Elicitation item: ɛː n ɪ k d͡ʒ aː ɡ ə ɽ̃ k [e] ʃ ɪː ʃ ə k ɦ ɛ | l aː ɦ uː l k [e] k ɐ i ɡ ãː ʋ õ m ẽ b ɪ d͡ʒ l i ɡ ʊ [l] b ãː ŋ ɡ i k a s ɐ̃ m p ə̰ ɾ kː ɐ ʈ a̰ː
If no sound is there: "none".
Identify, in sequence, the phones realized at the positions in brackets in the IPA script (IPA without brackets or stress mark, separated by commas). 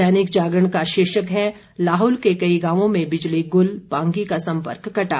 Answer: a, e, l